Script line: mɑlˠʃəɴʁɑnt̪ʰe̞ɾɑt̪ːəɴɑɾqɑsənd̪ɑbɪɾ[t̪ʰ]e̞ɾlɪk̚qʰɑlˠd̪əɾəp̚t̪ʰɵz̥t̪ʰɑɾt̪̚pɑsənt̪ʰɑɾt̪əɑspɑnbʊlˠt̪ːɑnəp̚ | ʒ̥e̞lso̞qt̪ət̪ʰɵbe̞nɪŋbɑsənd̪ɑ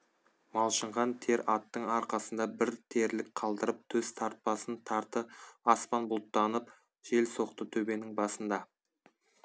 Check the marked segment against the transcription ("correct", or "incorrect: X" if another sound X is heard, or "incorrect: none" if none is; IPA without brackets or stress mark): correct